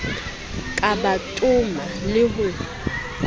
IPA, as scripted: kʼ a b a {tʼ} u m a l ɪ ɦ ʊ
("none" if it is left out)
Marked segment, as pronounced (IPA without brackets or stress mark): tʼ